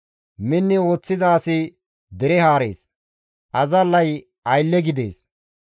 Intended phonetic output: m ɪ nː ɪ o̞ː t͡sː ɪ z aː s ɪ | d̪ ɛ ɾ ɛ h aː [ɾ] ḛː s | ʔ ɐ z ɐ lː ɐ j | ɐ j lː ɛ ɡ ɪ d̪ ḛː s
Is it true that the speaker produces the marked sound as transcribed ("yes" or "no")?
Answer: yes